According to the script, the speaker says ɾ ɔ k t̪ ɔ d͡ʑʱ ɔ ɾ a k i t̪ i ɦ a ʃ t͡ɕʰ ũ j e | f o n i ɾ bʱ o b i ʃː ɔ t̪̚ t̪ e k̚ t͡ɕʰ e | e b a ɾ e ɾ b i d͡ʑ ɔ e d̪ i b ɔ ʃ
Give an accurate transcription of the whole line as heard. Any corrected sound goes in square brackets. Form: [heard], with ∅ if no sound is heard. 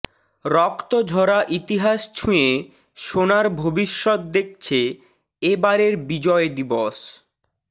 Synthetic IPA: ɾ ɔ k t̪ [o] d͡ʑʱ ɔ ɾ a [ʔ] i t̪ i ɦ a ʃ t͡ɕʰ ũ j e | [ʃ] o n [a] ɾ bʱ o b i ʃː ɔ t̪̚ [d̪] e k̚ t͡ɕʰ e | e b a ɾ e ɾ b i d͡ʑ ɔ e d̪ i b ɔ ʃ